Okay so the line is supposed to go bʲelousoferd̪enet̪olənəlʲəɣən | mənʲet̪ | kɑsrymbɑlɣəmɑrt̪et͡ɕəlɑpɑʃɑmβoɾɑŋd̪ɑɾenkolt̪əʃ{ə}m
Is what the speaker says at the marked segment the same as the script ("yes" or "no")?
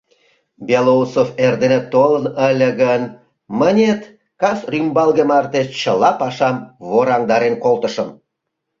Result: yes